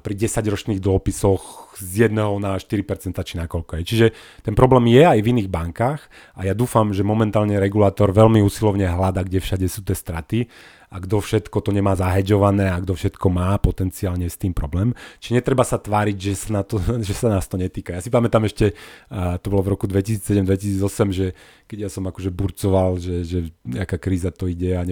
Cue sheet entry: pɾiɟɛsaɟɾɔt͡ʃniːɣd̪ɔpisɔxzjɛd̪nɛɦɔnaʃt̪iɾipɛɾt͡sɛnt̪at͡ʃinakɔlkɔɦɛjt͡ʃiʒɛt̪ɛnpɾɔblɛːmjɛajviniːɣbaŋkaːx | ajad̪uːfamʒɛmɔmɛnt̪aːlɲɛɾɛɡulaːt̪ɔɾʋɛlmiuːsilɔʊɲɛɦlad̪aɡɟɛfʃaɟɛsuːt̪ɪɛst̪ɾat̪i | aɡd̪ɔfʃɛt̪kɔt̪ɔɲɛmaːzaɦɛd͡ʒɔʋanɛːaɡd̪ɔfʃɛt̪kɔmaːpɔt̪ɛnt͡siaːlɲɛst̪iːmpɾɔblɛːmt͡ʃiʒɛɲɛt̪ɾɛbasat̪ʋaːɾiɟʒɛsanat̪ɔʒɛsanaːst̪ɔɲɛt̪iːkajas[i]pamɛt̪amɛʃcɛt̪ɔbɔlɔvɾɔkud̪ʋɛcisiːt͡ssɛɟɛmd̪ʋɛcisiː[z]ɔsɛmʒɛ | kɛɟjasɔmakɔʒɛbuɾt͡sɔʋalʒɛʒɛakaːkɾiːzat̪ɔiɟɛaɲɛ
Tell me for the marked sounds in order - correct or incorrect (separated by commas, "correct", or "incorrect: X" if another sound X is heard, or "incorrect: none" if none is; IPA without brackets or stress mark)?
correct, incorrect: d͡z